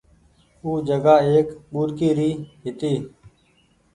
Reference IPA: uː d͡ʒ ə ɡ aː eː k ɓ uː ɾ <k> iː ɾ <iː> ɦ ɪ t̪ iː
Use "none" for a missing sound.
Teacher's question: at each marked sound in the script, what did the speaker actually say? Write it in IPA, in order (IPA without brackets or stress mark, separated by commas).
k, iː